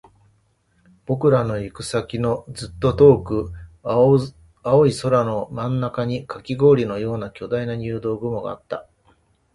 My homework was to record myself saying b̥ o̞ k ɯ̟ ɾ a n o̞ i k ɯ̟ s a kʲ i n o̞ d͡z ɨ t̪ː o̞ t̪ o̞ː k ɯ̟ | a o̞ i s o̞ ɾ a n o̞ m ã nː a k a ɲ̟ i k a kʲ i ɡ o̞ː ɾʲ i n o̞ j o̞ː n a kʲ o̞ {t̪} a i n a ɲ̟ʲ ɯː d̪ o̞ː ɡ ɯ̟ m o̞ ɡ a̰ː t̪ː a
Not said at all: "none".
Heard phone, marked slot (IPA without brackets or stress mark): d̪